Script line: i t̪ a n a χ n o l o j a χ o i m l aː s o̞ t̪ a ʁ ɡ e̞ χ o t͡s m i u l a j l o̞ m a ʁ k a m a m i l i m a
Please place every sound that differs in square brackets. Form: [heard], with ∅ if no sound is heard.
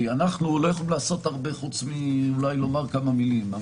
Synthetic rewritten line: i [∅] a n a χ n [u] l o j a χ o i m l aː s o̞ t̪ a ʁ [b] e̞ χ [u] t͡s m i u l a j l o̞ m a ʁ k a m a m i l i m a